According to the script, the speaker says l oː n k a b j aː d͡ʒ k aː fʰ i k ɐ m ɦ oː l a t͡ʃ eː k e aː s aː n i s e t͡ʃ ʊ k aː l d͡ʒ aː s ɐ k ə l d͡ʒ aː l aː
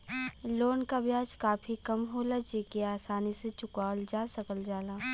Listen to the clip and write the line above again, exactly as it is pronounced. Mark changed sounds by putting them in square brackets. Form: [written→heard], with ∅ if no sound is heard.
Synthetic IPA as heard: l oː n k a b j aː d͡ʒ k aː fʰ i k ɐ m ɦ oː l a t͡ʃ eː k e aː s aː n i s e t͡ʃ ʊ k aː l d͡ʒ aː s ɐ k ə l d͡ʒ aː l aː